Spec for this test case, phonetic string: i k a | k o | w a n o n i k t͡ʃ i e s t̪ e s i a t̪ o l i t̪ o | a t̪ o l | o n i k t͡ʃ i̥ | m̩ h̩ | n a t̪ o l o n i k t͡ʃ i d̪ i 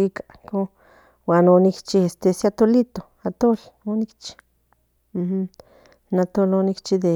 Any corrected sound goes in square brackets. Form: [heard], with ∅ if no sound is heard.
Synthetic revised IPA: i k a | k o | w a n o n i k t͡ʃ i e s t̪ e s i a t̪ o l i t̪ o | a t̪ o l | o n i k t͡ʃ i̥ | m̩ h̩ | n a t̪ o l o n i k t͡ʃ i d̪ [e]